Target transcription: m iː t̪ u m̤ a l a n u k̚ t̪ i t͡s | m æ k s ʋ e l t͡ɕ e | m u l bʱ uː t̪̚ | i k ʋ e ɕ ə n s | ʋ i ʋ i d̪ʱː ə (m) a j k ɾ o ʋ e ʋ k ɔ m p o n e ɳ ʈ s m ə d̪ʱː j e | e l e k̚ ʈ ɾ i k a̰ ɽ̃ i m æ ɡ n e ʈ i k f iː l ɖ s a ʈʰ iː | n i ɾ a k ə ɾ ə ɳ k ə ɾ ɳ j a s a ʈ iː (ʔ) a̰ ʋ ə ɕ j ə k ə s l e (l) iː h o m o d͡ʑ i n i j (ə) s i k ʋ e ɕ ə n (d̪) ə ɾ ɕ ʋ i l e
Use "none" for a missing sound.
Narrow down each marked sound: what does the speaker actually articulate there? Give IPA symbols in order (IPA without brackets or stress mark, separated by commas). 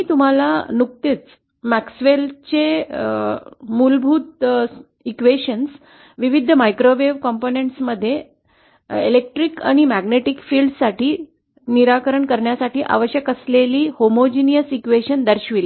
m, ʔ, l, ə, d̪